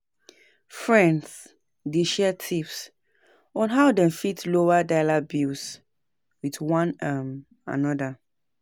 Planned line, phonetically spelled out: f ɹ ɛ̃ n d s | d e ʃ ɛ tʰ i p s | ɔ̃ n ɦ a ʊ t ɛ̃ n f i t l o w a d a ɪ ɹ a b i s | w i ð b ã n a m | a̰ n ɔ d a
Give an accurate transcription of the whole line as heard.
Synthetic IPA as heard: f ɹ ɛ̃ n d s | d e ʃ ɛ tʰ i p s | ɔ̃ n ɦ a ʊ d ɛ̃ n f i t l o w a d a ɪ l a b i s | w i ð w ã n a m | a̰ n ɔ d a